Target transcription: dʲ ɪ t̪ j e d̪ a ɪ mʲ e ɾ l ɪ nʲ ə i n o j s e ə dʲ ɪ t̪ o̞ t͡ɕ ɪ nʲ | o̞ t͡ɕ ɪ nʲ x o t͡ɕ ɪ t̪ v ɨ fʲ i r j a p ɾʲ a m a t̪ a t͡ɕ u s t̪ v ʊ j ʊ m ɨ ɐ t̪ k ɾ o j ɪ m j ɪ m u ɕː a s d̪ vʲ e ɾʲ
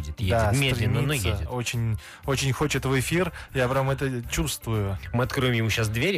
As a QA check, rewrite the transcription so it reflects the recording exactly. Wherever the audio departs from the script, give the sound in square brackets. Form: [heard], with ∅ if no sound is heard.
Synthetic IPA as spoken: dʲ ɪ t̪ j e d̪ a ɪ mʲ e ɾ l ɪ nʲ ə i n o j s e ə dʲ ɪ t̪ o̞ t͡ɕ ɪ nʲ | o̞ t͡ɕ ɪ nʲ x o t͡ɕ ɪ t̪ v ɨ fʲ i r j a p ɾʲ a m [ɛ] t̪ [ə] t͡ɕ u s t̪ v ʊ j ʊ m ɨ ɐ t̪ k ɾ o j ɪ m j ɪ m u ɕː a s d̪ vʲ e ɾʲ